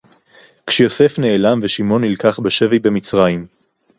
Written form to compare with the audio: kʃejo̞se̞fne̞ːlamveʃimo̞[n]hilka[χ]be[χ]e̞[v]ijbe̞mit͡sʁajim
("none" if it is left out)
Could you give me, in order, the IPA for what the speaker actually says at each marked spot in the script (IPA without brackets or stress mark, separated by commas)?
n, χ, ʃ, v